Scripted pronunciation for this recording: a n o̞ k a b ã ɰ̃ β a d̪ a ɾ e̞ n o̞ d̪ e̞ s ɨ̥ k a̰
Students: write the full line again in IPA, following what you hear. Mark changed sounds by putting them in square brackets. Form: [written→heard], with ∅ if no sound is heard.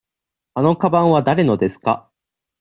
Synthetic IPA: a n o̞ k a b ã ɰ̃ β a d̪ a ɾ e̞ n o̞ d̪ e̞ s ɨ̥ k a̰